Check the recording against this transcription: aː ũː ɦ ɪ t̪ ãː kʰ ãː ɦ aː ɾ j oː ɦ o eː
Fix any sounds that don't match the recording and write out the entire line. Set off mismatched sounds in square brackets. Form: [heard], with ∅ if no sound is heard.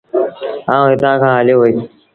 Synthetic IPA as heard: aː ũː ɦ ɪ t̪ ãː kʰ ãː ɦ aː [l] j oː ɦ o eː